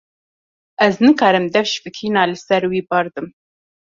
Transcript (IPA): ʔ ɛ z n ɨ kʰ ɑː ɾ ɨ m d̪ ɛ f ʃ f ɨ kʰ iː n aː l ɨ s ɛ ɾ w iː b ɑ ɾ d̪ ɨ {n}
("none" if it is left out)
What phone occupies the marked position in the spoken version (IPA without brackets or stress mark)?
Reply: m